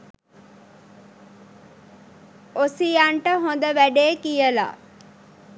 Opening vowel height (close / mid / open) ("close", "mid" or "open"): mid